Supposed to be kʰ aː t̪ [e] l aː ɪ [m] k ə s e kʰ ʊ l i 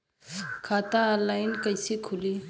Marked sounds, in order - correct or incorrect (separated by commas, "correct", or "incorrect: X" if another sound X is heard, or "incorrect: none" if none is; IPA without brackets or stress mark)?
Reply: incorrect: a, incorrect: n